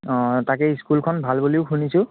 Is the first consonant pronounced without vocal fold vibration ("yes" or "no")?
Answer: yes